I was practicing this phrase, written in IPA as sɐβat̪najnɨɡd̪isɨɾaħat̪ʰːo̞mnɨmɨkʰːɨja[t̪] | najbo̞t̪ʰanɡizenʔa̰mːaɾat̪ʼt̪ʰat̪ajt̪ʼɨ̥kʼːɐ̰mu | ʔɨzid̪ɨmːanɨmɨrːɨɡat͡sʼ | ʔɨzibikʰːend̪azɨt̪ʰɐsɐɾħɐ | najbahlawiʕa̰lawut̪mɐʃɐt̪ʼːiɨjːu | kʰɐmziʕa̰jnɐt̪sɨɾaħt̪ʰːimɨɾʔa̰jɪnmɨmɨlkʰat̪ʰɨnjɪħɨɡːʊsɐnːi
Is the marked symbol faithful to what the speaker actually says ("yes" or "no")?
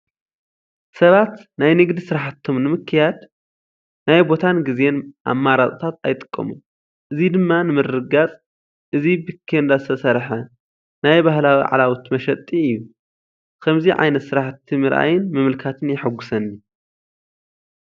no